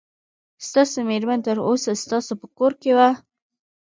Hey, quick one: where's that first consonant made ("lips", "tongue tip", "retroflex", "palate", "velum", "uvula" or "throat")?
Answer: tongue tip